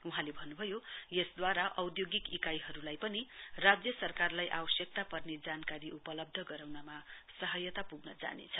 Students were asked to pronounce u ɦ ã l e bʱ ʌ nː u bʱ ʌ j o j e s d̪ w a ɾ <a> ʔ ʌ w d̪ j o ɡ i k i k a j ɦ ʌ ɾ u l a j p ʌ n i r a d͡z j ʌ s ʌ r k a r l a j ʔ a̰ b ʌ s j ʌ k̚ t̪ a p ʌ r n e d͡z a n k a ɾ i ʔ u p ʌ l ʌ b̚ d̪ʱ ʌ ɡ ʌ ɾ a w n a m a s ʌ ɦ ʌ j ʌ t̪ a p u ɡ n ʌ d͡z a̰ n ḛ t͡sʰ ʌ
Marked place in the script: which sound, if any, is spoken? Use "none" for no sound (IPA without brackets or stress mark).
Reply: a